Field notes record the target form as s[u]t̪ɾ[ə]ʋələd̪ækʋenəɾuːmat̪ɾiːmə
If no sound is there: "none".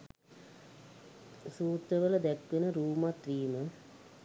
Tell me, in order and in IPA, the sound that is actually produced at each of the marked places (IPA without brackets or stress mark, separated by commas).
uː, ə